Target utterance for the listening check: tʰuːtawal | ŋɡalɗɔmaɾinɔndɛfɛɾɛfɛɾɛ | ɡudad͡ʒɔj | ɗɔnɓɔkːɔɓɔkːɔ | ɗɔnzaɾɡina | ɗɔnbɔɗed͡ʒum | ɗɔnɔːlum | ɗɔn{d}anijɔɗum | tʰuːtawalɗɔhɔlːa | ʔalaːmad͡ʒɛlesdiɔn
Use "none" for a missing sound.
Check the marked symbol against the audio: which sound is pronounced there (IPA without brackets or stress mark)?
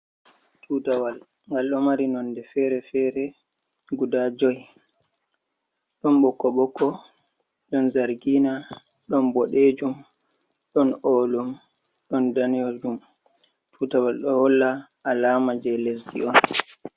d